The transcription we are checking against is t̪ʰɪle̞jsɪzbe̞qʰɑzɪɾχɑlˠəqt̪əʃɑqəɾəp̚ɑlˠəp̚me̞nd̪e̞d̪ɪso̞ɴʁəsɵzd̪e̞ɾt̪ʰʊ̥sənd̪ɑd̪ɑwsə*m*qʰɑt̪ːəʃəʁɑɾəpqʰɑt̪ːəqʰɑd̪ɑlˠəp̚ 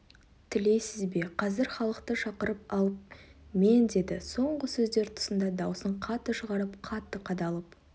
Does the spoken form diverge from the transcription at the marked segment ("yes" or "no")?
yes